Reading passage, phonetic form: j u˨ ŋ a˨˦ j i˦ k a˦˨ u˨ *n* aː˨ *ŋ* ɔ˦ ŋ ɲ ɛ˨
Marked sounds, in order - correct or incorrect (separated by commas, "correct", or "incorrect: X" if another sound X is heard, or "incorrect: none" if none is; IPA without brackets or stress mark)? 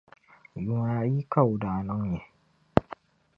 incorrect: d, incorrect: n